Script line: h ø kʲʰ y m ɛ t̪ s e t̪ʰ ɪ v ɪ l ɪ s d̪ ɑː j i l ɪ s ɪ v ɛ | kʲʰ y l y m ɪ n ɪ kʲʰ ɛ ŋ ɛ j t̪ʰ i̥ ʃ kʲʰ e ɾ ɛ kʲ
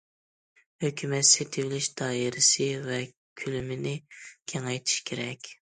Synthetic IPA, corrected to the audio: h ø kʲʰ y m ɛ t̪ s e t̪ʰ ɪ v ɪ l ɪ ʃ d̪ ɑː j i ɾ ɪ s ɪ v ɛ | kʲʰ y l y m ɪ n ɪ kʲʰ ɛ ŋ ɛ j t̪ʰ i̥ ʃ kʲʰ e ɾ ɛ kʲ